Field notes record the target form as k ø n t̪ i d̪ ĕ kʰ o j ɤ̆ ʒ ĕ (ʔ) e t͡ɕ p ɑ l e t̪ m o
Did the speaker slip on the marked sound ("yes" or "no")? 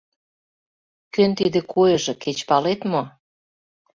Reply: yes